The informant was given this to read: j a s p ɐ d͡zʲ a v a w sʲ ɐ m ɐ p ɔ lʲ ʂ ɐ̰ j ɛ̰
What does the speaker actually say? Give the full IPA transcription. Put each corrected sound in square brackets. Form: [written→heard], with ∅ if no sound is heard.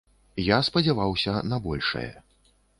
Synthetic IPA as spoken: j a s p ɐ d͡zʲ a v a w sʲ ɐ [m→n] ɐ [p→b] ɔ lʲ ʂ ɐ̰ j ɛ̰